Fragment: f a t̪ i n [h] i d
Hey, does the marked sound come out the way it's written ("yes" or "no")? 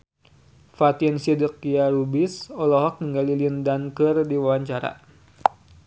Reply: no